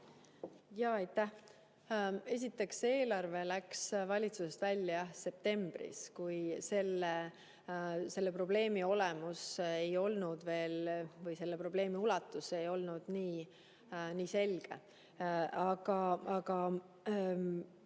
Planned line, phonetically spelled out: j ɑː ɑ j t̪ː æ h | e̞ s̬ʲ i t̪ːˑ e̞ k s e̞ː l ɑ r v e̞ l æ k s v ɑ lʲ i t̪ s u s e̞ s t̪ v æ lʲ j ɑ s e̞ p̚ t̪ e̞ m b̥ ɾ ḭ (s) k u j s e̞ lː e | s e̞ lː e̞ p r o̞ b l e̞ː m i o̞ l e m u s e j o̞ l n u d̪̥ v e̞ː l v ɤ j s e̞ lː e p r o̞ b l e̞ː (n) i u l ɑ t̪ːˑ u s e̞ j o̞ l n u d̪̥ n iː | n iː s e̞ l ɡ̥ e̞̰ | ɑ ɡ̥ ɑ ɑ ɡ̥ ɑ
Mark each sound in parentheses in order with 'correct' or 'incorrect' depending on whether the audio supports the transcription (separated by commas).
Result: correct, incorrect